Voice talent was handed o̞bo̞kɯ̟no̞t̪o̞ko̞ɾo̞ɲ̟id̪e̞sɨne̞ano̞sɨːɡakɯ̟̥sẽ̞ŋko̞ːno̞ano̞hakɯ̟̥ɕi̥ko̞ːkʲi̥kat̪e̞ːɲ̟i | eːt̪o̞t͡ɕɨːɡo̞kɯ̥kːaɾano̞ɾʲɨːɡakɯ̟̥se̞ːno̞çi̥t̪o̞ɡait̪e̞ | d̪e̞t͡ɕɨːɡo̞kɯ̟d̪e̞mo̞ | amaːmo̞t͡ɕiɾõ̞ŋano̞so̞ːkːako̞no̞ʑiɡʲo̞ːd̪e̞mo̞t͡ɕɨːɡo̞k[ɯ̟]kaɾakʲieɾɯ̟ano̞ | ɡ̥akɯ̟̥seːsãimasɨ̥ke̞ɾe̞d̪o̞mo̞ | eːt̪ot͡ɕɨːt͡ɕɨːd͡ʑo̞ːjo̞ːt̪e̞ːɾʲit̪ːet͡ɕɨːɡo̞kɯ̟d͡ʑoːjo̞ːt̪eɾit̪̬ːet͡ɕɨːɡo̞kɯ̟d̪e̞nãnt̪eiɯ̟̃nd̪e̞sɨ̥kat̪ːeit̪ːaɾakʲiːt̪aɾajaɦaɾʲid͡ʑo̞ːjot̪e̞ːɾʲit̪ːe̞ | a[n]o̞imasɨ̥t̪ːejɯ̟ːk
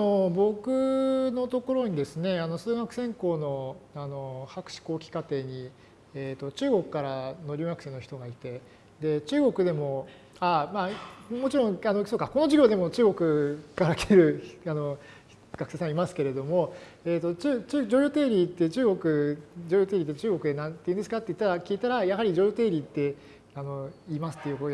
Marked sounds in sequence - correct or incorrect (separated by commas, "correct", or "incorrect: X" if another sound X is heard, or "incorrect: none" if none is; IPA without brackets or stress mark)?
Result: correct, correct